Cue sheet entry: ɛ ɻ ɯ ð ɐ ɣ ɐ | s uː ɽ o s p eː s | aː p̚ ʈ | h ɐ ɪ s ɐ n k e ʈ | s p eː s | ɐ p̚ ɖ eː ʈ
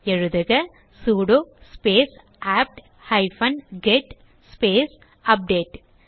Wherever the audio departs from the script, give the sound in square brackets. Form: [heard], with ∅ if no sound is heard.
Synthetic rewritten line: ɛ ɻ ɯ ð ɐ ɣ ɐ | s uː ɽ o s p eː s | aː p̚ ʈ | h ɐ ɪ [f] ɐ n [ɡ] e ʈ | s p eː s | ɐ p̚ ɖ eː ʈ

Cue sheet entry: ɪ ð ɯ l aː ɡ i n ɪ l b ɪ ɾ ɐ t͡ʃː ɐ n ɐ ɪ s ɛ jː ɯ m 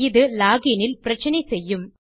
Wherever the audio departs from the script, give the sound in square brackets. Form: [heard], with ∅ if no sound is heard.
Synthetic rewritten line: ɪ ð ɯ l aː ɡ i n ɪ l [p] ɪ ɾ ɐ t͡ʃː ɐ n ɐ ɪ s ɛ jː ɯ m

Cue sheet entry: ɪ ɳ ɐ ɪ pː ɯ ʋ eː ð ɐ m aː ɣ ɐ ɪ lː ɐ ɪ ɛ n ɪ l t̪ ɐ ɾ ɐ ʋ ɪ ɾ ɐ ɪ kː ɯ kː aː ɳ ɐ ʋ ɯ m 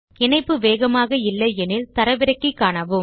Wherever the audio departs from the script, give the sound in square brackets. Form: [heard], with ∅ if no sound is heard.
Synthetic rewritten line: ɪ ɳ ɐ ɪ pː ɯ ʋ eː [ɣ] ɐ m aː ɣ ɐ ɪ lː ɐ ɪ ɛ n ɪ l t̪ ɐ ɾ ɐ ʋ ɪ ɾ ɐ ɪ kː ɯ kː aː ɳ ɐ ʋ ɯ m

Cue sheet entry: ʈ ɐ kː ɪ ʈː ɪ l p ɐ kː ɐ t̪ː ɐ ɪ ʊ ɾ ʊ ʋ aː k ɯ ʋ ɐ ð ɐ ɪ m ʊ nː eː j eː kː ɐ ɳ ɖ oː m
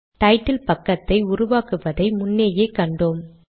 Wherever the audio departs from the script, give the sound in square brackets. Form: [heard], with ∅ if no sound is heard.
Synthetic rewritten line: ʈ ɐ [∅] ɪ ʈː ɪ l p ɐ kː ɐ t̪ː ɐ ɪ ʊ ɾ ʊ ʋ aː k ɯ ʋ ɐ ð ɐ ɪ m ʊ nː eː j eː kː ɐ ɳ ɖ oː m

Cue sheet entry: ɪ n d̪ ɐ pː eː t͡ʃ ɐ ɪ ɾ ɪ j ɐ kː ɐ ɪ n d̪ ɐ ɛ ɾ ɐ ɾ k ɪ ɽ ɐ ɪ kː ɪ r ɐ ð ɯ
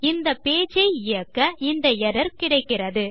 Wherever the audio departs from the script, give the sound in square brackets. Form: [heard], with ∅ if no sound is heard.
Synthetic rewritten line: ɪ n d̪ ɐ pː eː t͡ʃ ɐ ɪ [∅] ɪ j ɐ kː ɐ ɪ n d̪ ɐ ɛ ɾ ɐ ɾ k ɪ ɽ ɐ ɪ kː ɪ r ɐ ð ɯ

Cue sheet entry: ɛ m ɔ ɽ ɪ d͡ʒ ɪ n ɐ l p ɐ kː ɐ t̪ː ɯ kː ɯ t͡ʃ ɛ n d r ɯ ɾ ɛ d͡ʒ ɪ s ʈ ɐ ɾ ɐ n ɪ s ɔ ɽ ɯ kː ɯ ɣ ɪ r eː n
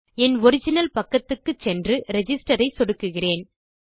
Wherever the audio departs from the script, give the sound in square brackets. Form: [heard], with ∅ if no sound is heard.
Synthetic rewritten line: ɛ [n] ɔ [ɾ] ɪ d͡ʒ ɪ n ɐ l p ɐ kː ɐ t̪ː ɯ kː ɯ t͡ʃ ɛ n d r ɯ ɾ ɛ d͡ʒ ɪ s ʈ ɐ ɾ ɐ [∅] ɪ s ɔ ɽ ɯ kː ɯ ɣ ɪ r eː n

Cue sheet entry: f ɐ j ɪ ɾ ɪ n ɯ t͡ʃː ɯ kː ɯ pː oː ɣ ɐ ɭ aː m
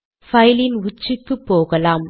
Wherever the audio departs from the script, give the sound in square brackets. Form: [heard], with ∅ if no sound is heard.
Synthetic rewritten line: f ɐ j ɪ [l] ɪ n [ʊ] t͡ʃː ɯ kː ɯ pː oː ɣ ɐ [l] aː m

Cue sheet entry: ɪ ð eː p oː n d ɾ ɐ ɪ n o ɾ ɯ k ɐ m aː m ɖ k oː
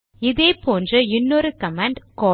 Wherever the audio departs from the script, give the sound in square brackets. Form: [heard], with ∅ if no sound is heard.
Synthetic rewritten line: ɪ ð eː p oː n d [r] ɐ ɪ [nː] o ɾ ɯ k ɐ m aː [ɳ] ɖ k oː

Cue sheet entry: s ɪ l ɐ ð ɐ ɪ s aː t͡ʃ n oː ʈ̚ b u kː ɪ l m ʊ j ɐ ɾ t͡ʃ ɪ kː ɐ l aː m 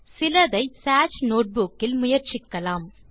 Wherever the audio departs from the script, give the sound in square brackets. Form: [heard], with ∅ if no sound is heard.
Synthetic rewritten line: s ɪ l ɐ ð ɐ ɪ s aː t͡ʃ n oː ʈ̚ b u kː ɪ l m ʊ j ɐ ɾ t͡ʃ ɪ kː ɐ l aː m

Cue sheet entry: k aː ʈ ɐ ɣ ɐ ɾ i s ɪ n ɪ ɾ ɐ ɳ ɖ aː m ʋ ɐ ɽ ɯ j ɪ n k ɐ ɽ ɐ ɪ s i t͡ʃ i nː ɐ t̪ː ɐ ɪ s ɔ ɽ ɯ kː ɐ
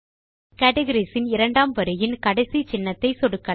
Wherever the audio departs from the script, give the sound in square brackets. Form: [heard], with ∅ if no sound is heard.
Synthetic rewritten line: k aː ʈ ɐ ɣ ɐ ɾ i s ɪ n ɪ ɾ ɐ ɳ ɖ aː m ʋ ɐ [ɾ] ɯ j ɪ n k ɐ ɽ ɐ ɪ s i t͡ʃ [ɪ] nː ɐ t̪ː ɐ ɪ s ɔ ɽ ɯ kː ɐ

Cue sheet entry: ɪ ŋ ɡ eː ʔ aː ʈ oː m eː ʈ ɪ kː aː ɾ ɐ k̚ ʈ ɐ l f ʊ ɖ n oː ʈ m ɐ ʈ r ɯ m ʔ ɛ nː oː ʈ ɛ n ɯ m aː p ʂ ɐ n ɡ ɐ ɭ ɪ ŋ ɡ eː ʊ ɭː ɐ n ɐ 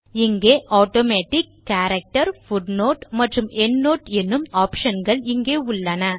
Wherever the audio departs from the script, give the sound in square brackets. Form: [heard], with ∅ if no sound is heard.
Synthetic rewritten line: ɪ ŋ ɡ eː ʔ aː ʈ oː m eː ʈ ɪ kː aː ɾ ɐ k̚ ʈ ɐ [ɾ] f ʊ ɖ n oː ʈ m ɐ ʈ r ɯ m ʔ ɛ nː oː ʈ ɛ [nː] ɯ m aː p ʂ ɐ n ɡ ɐ ɭ ɪ ŋ ɡ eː ʊ ɭː ɐ n ɐ

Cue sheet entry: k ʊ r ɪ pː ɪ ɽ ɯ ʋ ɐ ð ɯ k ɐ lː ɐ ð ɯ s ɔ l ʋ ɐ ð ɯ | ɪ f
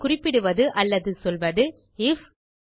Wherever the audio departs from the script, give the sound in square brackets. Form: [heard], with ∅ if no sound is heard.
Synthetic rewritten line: k ʊ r ɪ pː ɪ ɽ ɯ ʋ ɐ ð ɯ [ʔ] ɐ lː ɐ ð ɯ s ɔ l ʋ ɐ ð ɯ | ɪ f

